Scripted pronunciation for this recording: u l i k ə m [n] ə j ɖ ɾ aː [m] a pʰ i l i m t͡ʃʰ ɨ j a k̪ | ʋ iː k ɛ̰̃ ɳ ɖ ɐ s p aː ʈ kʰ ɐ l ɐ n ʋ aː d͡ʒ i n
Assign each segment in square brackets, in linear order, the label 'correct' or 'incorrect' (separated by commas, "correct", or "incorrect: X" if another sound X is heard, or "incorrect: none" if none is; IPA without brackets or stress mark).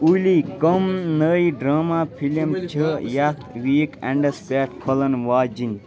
correct, correct